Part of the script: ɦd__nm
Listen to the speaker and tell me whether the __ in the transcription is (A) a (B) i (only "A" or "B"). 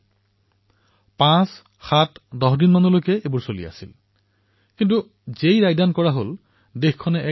B